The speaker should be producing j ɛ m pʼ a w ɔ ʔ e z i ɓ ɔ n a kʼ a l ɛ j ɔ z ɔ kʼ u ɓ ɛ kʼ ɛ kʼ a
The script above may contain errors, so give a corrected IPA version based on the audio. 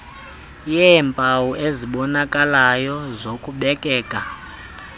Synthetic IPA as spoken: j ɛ m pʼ a w u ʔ e z i ɓ ɔ n a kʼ a l a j ɔ z o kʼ u ɓ ɛ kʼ ɛː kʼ a